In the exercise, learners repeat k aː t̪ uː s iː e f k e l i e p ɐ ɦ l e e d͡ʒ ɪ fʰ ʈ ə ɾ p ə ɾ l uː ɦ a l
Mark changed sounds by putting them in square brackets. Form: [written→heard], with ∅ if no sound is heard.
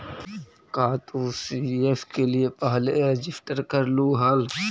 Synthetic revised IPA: k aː t̪ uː s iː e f k e l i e p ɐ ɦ l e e d͡ʒ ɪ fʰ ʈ ə ɾ [p→k] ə ɾ l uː ɦ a l